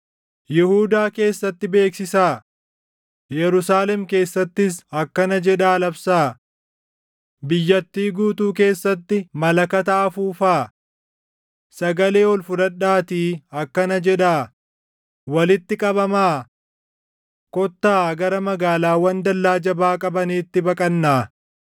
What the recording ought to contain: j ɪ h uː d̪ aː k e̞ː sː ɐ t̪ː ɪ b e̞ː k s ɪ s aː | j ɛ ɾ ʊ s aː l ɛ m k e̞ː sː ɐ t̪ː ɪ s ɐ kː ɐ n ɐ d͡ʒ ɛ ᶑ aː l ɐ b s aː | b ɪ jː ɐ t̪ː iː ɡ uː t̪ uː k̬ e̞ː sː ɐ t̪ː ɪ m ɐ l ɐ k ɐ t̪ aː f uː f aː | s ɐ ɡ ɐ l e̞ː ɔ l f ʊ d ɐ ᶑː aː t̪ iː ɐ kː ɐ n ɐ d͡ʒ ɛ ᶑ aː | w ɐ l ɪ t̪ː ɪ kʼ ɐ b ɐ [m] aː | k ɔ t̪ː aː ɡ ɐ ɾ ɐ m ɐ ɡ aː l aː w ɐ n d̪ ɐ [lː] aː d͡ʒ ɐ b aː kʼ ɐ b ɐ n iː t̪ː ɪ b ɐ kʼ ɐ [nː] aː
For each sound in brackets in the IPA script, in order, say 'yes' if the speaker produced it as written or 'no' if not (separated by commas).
yes, yes, yes